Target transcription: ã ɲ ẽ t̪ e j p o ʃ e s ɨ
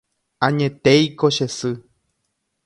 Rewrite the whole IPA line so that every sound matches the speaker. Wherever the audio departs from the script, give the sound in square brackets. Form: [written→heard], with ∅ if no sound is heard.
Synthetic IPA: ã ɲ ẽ t̪ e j [p→k] o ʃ e s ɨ